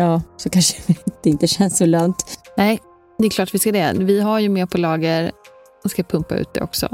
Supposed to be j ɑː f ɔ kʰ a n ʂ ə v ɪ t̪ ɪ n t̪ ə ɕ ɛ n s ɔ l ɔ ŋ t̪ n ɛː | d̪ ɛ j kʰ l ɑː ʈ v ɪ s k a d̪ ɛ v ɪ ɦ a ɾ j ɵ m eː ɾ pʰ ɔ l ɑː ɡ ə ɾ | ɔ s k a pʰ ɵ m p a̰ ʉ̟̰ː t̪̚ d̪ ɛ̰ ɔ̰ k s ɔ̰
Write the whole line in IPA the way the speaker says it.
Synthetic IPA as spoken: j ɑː s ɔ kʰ a n ʂ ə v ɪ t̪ ɪ n t̪ ə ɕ ɛ n s ɔ l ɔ ŋ t̪ n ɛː | d̪ ɛ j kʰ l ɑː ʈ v ɪ s k a d̪ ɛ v ɪ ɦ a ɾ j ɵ m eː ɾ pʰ ɔ l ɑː ɡ ə ɾ | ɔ s k a pʰ ɵ m p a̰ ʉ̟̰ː t̪̚ d̪ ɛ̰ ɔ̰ k s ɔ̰